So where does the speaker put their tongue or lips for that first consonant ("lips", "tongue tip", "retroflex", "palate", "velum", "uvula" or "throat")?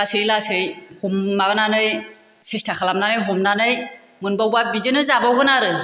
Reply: tongue tip